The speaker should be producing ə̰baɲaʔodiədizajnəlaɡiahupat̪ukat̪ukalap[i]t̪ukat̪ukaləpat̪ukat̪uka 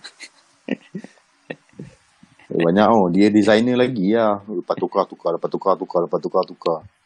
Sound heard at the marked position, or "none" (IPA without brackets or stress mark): a